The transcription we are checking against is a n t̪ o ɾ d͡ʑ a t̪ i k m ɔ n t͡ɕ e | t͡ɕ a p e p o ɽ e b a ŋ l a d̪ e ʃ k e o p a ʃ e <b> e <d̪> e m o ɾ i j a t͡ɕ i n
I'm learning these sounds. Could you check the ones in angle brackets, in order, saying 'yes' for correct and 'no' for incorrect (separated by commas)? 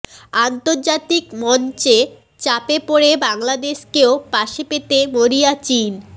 no, no